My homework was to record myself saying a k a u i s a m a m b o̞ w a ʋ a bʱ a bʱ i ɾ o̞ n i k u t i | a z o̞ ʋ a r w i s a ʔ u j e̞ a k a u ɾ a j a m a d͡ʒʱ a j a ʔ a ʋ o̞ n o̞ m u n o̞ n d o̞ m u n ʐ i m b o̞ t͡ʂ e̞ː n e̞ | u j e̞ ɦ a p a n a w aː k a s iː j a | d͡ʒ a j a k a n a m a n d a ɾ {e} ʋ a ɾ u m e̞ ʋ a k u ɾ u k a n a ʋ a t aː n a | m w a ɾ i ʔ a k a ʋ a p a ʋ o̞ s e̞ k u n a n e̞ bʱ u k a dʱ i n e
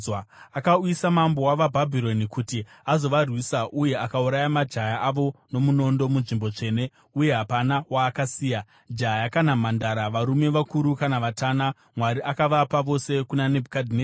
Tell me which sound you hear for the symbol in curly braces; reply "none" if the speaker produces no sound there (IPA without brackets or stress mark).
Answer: a